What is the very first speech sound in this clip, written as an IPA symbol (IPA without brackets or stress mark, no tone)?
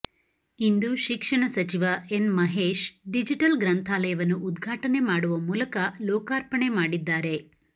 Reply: i